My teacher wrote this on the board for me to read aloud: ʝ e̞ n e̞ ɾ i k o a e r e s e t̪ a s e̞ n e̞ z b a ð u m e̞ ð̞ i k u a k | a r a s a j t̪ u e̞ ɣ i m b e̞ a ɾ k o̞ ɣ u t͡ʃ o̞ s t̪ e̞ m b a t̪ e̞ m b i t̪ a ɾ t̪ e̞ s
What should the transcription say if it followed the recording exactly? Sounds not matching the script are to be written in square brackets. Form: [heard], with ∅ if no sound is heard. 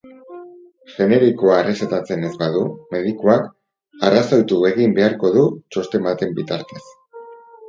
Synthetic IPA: ʝ e̞ n e̞ ɾ i k o a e r e s e t̪ a [t͡s] e̞ n e̞ z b a ð u m e̞ ð̞ i k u a k | a r a s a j t̪ u e̞ ɣ i m b e̞ a ɾ k o̞ [ð] u t͡ʃ o̞ s t̪ e̞ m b a t̪ e̞ m b i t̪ a ɾ t̪ e̞ s